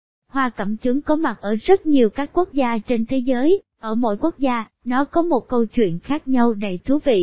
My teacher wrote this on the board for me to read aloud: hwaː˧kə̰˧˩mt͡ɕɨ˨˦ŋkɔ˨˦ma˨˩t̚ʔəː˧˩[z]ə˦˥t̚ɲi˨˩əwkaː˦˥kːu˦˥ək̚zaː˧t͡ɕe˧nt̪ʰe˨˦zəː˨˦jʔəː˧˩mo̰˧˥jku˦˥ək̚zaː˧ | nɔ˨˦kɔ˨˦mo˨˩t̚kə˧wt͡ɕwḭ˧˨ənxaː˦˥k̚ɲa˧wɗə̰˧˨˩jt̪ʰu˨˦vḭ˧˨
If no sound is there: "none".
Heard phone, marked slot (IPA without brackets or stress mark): z